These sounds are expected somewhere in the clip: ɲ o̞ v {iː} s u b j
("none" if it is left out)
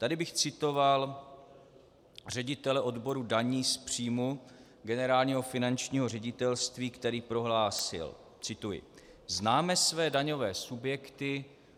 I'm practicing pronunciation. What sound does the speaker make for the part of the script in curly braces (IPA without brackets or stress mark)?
ɛː